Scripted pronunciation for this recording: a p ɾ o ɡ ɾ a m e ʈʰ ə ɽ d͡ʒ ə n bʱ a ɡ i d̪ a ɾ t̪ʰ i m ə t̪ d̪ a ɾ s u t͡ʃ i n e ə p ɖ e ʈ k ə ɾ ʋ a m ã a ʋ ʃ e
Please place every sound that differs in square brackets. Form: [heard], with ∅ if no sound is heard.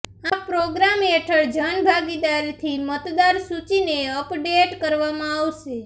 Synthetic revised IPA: a p ɾ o ɡ ɾ a m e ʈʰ ə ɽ d͡ʒ ə n bʱ a ɡ i d̪ a ɾ t̪ʰ i m ə t̪ d̪ a ɾ s u t͡ʃ i n e ə p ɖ e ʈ k ə ɾ ʋ a m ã a ʋ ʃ e